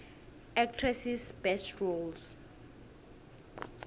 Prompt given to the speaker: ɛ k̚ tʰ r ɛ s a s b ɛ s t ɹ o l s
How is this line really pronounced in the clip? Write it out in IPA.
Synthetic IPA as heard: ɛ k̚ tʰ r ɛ s i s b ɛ s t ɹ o l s